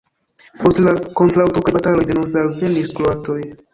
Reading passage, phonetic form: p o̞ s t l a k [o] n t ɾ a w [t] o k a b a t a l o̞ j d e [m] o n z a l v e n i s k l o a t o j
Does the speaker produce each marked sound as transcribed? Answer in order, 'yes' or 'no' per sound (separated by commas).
yes, yes, no